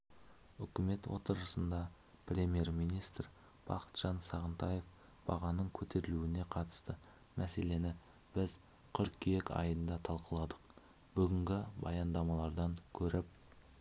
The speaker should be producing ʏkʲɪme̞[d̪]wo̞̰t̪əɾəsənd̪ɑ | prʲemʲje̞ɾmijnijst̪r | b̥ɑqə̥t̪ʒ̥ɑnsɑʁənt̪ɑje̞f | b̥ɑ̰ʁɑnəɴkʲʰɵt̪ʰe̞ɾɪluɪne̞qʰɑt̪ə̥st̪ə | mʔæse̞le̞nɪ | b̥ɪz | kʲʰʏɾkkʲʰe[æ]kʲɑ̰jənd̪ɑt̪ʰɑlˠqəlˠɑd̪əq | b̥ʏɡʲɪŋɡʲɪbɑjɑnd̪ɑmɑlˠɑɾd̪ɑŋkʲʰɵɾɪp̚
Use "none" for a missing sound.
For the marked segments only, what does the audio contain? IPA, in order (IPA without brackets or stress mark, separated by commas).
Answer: t̪, e